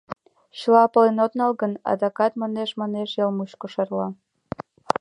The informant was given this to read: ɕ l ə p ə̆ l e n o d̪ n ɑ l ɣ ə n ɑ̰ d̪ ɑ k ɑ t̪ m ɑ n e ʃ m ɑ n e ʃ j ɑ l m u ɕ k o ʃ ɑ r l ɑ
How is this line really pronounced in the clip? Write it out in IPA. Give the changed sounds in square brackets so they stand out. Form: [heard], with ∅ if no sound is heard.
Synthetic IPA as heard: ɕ l [ɑ] p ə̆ l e n o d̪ n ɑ l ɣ ə n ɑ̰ d̪ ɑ k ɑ t̪ m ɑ n e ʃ m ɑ n e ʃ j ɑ l m u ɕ k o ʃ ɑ r l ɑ